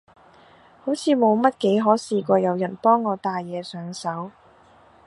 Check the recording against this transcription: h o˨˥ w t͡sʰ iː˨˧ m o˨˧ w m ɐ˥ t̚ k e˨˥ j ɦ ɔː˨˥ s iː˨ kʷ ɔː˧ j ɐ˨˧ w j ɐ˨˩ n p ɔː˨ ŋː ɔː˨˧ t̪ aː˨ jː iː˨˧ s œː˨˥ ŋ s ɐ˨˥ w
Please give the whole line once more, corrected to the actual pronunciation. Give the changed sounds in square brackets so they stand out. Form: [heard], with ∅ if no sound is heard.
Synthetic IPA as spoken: h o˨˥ w t͡sʰ iː˨˧ m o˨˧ w m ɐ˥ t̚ k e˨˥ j ɦ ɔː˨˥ s iː˨ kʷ ɔː˧ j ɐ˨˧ w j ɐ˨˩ n p [ɔː˥] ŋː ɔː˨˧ t̪ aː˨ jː [ɛː˨˧] s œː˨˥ ŋ s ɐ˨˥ w